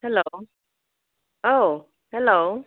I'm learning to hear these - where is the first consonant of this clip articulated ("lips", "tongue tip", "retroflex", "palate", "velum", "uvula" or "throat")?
throat